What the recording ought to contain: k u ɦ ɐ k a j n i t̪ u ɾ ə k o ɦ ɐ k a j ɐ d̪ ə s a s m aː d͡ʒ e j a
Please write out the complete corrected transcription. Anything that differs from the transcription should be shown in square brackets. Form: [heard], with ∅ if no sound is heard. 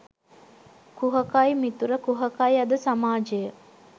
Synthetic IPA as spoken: k u ɦ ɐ k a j [m] i t̪ u ɾ ə k [u] ɦ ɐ k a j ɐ d̪ ə s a [∅] m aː d͡ʒ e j [ə]